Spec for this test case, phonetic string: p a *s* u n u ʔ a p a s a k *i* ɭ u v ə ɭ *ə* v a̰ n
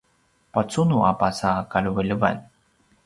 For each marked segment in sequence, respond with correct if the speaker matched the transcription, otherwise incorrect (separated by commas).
incorrect, incorrect, correct